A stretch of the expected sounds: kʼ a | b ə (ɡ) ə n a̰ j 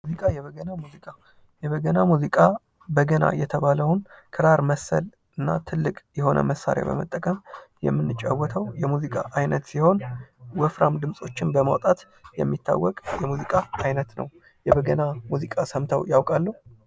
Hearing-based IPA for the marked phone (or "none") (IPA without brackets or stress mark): ɡ